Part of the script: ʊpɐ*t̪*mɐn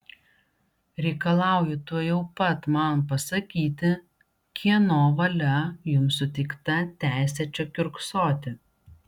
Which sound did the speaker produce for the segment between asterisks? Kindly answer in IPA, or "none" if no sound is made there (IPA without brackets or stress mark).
t̪